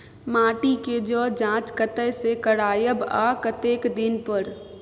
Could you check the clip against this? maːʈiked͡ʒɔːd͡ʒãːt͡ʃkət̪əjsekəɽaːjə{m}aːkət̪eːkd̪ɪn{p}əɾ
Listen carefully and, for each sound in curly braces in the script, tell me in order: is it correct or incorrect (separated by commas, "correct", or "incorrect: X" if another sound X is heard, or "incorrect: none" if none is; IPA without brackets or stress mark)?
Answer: incorrect: b, correct